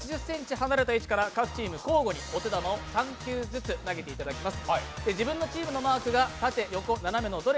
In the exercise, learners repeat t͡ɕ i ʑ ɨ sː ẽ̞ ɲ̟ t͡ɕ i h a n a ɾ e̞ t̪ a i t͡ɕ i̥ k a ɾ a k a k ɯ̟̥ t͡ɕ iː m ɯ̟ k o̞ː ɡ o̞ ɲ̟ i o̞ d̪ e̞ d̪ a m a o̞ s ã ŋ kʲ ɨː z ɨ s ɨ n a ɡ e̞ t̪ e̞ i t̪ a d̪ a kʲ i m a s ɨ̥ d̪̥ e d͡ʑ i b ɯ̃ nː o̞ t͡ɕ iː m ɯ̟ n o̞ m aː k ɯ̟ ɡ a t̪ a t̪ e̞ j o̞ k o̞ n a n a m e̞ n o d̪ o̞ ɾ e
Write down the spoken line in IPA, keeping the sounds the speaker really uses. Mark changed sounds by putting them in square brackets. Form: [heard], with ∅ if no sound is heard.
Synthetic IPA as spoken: t͡ɕ i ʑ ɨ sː ẽ̞ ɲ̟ t͡ɕ i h a n a ɾ e̞ t̪ a i t͡ɕ i̥ k a ɾ a k a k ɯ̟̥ t͡ɕ iː m ɯ̟ k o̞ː ɡ o̞ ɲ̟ i o̞ [t̪] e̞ d̪ a m a o̞ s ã ŋ kʲ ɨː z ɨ [t͡s] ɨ n a ɡ e̞ t̪ e̞ i t̪ a d̪ a kʲ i m a s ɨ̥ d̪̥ e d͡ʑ i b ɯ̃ nː o̞ t͡ɕ iː m ɯ̟ n o̞ m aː k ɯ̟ ɡ a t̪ a t̪ e̞ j o̞ k o̞ n a n a m e̞ n o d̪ o̞ ɾ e